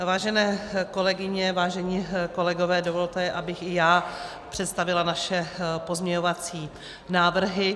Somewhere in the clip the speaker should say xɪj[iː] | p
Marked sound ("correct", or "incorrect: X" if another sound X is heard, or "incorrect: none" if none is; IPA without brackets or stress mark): incorrect: aː